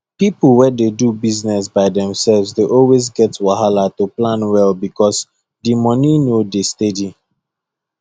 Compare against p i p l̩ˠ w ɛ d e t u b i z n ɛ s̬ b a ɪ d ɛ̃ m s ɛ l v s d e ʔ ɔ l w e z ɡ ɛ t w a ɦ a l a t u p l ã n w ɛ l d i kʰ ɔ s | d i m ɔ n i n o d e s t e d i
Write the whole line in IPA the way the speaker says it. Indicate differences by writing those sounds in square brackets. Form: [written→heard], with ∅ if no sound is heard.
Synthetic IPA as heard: p i p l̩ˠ w ɛ d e [t→d] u b i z n ɛ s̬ b a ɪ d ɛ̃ m s ɛ l v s d e ʔ ɔ l w e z ɡ ɛ t w a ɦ a l a t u p l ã n w ɛ l [d→b] i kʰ ɔ s | d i m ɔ n i n o d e s t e d i